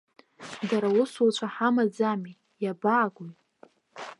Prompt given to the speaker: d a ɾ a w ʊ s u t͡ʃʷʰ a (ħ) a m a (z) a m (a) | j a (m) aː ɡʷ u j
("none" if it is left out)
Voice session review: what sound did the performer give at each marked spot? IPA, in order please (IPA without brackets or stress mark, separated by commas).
ħ, d͡z, i, b